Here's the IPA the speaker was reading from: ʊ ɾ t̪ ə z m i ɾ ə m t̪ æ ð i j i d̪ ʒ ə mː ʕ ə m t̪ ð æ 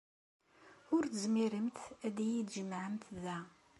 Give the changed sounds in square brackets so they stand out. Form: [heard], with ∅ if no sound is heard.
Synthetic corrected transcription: ʊ ɾ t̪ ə z m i ɾ ə m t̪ æ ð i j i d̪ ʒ ə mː ʕ ə m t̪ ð æ